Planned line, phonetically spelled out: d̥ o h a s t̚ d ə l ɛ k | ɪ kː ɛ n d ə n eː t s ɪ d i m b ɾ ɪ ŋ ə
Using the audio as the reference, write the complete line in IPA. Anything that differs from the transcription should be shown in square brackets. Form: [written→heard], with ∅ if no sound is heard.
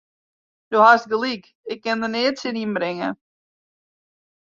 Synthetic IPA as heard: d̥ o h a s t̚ [d→ɡ] ə l [ɛ→i] k | ɪ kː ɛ n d ə n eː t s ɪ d i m b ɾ ɪ ŋ ə